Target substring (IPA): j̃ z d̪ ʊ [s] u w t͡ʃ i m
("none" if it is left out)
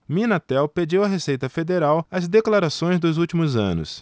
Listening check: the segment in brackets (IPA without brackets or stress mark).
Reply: z